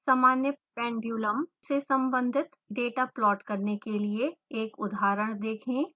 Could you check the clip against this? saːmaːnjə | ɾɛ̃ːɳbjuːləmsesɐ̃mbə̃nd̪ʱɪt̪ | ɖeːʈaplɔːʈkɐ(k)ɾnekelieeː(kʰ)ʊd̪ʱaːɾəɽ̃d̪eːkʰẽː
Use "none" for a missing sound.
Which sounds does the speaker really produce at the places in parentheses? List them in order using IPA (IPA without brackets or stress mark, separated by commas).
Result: none, k